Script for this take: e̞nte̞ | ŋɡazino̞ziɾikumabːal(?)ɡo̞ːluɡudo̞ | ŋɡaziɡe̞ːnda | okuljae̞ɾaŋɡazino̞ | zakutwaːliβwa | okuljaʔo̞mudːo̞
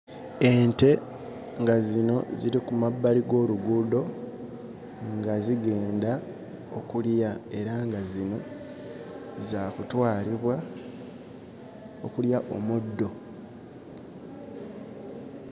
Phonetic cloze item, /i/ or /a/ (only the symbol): i